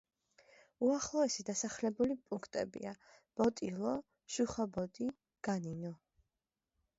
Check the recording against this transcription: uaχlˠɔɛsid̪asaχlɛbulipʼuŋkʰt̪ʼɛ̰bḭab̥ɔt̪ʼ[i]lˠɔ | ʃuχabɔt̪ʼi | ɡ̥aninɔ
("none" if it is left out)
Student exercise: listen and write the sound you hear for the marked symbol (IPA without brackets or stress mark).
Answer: i